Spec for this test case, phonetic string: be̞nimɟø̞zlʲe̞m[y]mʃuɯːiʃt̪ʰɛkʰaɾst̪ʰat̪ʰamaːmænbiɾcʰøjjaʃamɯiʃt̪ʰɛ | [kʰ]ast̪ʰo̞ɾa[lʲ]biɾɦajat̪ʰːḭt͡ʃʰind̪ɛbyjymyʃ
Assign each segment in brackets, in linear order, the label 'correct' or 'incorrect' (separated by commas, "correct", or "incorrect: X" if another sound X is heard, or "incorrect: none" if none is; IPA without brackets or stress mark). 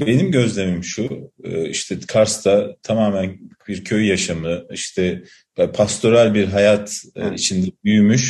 incorrect: i, incorrect: pʰ, correct